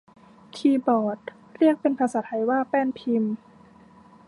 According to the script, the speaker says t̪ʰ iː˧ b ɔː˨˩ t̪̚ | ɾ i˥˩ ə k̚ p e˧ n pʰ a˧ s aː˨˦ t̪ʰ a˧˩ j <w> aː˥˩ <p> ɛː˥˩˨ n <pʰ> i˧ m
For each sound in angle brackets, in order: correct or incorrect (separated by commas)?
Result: correct, correct, correct